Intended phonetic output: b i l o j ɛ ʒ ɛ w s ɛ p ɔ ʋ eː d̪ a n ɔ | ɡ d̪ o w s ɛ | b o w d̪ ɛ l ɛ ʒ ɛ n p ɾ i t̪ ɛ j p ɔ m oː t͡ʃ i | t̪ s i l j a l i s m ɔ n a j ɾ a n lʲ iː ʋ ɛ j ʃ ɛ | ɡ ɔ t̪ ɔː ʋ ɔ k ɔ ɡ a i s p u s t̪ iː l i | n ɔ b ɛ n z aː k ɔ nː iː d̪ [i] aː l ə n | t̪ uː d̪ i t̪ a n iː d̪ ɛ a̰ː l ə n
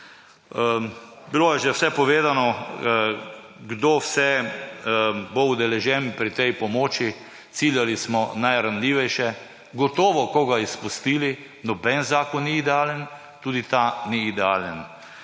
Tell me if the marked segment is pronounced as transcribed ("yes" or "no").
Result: no